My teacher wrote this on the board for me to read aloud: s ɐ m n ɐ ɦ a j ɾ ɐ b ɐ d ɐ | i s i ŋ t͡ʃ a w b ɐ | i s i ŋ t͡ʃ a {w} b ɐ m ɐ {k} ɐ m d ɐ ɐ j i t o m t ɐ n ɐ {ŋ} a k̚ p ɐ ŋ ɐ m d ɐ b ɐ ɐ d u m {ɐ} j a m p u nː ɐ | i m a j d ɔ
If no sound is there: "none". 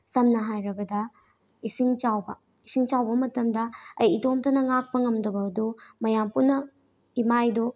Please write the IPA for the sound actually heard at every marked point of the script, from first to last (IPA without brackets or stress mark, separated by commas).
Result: w, t, ŋ, ɐ